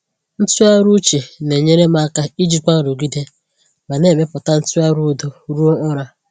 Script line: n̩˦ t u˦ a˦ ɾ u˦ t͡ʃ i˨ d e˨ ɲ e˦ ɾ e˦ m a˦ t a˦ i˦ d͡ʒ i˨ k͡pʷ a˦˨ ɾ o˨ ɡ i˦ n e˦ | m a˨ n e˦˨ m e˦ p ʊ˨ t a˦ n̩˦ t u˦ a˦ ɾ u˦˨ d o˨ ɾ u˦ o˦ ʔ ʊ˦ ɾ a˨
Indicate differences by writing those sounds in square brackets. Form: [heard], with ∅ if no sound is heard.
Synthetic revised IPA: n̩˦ t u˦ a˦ ɾ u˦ t͡ʃ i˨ [n] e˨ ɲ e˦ ɾ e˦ m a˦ [k] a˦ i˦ d͡ʒ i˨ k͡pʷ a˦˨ ɾ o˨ ɡ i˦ [d] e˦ | m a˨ n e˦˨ m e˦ p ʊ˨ t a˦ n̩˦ t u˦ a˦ ɾ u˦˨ d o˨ ɾ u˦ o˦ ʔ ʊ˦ ɾ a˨